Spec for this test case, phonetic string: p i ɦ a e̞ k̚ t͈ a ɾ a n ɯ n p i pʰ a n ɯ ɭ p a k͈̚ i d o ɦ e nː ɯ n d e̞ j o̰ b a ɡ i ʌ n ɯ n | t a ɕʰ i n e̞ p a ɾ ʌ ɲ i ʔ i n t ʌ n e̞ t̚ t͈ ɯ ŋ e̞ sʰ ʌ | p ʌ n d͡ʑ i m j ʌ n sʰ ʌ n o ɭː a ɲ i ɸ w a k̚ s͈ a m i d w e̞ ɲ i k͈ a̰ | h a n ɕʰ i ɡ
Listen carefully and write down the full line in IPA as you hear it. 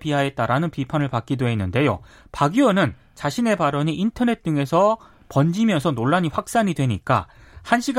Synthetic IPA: p i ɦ a e̞ t̚ t͈ a ɾ a n ɯ n p i pʰ a n ɯ ɭ p a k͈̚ i d o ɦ e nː ɯ n d e̞ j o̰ p a ɡ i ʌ n ɯ n | t͡ɕ a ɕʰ i n e̞ p a ɾ ʌ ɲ i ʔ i n tʰ ʌ n e̞ t̚ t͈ ɯ ŋ e̞ sʰ ʌ | p ʌ n d͡ʑ i m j ʌ n sʰ ʌ n o ɭː a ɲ i ɸ w a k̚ s͈ a ɲ i d w e̞ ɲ i k͈ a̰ | h a n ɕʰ i ɡ